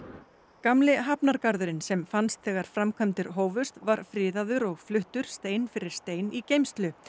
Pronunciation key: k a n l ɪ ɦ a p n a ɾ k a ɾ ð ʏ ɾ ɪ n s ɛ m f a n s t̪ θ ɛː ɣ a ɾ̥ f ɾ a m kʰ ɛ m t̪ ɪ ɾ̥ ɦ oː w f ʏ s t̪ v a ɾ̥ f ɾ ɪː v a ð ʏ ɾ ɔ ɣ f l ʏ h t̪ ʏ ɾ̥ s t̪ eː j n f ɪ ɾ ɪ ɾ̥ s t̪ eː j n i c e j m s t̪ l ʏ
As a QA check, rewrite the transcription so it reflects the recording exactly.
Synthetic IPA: k a m l ɪ ɦ a p n a ɾ k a ɾ ð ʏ ɾ ɪ n s ɛ m f a n s t̪ θ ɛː ɣ a ɾ̥ f ɾ a m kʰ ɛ m t̪ ɪ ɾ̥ ɦ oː w v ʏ s t̪ v a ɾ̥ f ɾ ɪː ð a ð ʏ ɾ ɔ ɣ f l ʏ h t̪ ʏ ɾ̥ s t̪ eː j n f ɪ ɾ ɪ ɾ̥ s t̪ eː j n i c e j m s t̪ l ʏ